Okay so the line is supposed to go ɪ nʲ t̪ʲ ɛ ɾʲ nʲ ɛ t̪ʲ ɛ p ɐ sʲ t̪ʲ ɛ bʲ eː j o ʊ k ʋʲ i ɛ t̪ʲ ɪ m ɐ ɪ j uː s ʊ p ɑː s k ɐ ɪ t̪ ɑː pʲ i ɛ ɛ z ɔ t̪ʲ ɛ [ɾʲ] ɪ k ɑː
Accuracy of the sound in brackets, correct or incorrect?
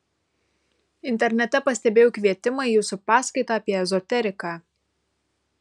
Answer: correct